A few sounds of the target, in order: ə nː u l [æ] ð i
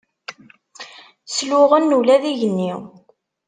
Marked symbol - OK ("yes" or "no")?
yes